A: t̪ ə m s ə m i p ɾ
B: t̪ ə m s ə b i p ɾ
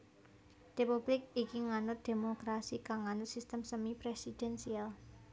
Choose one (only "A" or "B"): A